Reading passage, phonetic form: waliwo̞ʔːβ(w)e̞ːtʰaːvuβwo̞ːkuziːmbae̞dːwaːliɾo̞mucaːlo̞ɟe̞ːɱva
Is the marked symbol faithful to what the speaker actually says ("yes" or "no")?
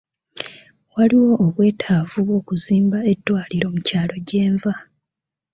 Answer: yes